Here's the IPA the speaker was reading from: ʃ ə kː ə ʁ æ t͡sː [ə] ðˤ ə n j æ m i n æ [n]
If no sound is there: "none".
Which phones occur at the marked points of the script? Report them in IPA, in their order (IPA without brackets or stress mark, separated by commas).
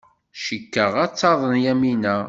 ɑ, none